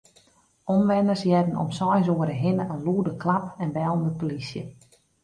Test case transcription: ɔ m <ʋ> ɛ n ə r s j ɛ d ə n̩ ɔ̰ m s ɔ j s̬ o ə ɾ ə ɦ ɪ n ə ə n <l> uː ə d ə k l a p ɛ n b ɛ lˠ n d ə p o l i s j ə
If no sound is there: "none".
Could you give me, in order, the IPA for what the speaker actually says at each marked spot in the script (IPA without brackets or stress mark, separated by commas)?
ʋ, l